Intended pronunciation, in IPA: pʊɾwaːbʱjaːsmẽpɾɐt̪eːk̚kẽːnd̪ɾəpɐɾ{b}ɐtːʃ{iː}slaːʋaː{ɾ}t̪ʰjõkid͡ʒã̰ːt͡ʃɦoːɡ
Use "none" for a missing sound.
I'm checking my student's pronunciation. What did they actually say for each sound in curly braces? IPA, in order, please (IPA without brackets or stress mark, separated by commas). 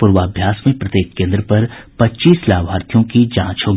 p, iː, ɾ